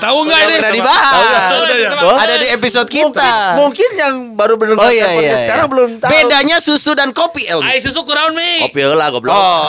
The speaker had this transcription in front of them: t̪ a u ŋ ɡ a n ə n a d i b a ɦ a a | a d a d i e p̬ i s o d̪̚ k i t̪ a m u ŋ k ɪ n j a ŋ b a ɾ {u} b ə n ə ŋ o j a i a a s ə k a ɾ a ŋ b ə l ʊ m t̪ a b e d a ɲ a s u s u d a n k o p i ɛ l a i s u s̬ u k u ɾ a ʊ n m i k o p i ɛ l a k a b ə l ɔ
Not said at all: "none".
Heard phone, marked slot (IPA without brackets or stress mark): u